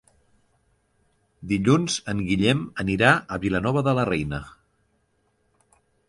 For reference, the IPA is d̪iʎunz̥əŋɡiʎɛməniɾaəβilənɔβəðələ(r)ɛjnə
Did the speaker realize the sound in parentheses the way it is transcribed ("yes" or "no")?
yes